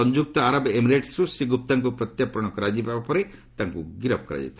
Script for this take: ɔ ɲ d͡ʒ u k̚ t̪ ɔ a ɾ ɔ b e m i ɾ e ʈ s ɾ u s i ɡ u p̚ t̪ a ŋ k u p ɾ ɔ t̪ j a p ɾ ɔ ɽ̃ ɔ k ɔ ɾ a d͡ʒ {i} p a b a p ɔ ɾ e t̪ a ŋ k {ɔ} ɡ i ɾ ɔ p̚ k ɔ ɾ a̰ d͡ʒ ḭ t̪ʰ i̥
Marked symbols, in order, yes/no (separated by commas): yes, no